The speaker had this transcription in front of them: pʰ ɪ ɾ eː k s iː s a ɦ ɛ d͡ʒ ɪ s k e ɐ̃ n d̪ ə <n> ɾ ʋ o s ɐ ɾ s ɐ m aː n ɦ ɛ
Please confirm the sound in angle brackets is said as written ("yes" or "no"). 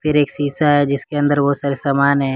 no